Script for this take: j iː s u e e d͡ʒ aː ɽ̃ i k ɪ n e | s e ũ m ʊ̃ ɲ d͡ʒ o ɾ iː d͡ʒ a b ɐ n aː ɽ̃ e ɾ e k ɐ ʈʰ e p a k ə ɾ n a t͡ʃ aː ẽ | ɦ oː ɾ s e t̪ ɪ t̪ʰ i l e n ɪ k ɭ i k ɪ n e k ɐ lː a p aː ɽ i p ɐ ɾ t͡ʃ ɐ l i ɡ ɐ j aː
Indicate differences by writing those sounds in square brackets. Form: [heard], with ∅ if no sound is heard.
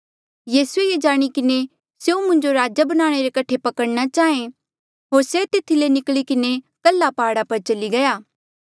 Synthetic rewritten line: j iː s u e e d͡ʒ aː ɽ̃ i k ɪ n e | s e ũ m ʊ̃ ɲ d͡ʒ o ɾ [aː] d͡ʒ a b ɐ n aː ɽ̃ e ɾ e k ɐ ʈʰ e p [ɐ] k ə [ɽ] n a t͡ʃ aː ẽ | ɦ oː ɾ s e t̪ ɪ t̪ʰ i l e n ɪ k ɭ i k ɪ n e k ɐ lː a p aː ɽ [a] p ɐ ɾ t͡ʃ ɐ l i ɡ ɐ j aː